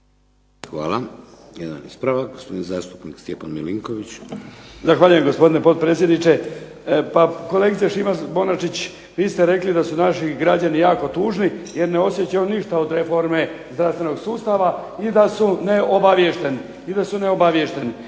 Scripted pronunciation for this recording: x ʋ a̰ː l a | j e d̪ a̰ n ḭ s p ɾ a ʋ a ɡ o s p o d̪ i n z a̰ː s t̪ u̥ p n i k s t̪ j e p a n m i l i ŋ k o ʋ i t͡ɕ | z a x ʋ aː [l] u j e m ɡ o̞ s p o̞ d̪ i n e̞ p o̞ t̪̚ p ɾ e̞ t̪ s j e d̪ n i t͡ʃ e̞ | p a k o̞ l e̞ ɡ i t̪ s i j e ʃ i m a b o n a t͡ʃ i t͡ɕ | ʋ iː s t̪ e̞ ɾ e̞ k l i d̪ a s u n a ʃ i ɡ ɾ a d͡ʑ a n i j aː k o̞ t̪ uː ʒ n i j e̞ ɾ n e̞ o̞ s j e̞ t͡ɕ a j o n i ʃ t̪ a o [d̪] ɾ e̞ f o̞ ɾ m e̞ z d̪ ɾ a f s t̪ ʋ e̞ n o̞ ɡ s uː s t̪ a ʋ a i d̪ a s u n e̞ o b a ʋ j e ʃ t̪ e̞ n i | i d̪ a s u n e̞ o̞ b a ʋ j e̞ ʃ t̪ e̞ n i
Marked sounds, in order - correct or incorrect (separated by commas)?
incorrect, correct